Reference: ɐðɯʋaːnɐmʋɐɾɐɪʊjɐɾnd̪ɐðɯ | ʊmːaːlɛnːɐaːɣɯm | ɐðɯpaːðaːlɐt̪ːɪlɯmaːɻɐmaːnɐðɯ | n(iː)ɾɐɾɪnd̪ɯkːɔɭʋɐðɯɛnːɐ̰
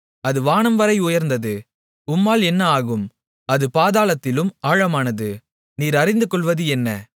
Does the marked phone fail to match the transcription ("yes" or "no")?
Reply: no